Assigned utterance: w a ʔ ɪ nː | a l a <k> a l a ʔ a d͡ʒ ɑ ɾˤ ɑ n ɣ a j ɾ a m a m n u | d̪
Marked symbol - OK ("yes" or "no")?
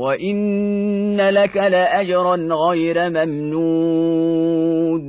yes